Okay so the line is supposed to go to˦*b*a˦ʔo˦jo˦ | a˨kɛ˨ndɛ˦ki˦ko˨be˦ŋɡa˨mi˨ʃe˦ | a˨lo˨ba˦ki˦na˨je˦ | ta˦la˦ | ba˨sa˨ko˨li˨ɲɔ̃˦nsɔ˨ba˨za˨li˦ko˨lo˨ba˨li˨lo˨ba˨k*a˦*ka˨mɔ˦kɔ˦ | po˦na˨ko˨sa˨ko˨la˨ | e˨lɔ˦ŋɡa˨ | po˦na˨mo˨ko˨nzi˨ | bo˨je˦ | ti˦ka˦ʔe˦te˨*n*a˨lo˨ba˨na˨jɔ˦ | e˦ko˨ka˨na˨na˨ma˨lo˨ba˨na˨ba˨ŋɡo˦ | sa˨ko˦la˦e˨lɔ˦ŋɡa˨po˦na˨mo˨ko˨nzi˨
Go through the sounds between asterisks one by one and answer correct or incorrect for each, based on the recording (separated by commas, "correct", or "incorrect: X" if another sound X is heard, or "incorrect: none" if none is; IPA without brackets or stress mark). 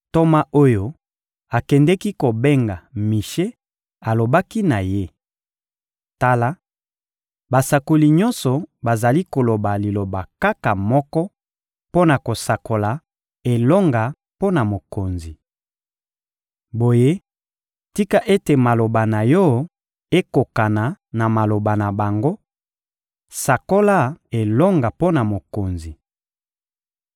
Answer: incorrect: m, correct, incorrect: m